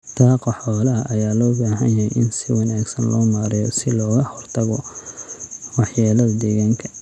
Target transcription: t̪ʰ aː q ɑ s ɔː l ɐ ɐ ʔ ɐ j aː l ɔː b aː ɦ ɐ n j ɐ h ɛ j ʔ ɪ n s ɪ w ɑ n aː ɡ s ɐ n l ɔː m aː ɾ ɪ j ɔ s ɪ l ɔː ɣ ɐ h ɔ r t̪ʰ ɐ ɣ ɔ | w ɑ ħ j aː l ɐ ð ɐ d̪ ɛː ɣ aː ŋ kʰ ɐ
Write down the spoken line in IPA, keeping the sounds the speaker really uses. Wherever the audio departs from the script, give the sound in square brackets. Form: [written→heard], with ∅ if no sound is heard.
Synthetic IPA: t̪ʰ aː q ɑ [s→ħ] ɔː l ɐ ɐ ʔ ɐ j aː l ɔː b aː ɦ ɐ n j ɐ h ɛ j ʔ ɪ n s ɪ w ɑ n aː ɡ s ɐ n l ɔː m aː ɾ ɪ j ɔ s ɪ l ɔː ɣ ɐ h ɔ r t̪ʰ ɐ ɣ ɔ | w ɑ ħ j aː l ɐ ð ɐ d̪ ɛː ɣ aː ŋ kʰ ɐ